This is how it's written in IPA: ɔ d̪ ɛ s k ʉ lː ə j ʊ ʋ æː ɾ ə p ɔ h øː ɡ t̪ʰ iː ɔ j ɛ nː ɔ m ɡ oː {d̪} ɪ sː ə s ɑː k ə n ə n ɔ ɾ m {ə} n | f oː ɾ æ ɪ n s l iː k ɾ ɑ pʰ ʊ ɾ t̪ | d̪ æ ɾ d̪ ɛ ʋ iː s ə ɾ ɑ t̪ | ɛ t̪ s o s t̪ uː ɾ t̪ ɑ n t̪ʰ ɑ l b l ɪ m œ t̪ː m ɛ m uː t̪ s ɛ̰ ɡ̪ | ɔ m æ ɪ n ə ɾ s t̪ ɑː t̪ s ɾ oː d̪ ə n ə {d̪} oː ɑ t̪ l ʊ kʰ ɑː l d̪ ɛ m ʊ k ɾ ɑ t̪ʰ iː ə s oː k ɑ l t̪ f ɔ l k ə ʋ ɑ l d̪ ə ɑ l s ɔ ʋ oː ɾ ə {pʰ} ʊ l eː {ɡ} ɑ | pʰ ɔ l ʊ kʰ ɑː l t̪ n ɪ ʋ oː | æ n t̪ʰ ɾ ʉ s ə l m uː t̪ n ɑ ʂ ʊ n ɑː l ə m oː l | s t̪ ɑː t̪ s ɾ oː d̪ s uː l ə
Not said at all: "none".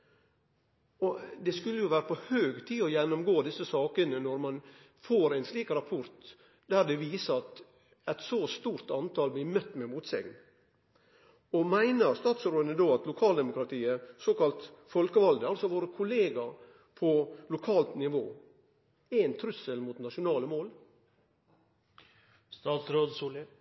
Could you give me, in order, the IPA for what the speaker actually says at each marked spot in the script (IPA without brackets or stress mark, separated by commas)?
d̪, ɑ, d̪, kʰ, ɡ